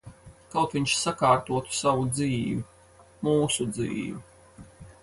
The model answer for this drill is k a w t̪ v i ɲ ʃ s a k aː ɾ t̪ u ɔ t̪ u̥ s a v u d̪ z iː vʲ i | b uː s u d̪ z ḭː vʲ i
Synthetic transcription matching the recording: k a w t̪ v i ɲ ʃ s a k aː ɾ t̪ u ɔ t̪ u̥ s a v u d̪ z iː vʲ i | m uː s u d̪ z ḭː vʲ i